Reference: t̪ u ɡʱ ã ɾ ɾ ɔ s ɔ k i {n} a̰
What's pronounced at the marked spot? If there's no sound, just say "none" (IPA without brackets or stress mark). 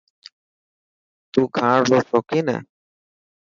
n